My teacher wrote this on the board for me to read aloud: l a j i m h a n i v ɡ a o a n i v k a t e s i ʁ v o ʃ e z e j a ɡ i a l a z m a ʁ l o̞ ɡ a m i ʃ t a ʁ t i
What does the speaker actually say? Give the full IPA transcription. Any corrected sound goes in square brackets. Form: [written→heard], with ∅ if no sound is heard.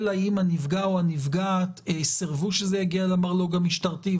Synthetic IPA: l a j i m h a n i v ɡ a o a n i v [k→ɡ] a t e s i ʁ v [o→u] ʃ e z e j a ɡ i a l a [z→∅] m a ʁ l o̞ ɡ a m i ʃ t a ʁ t i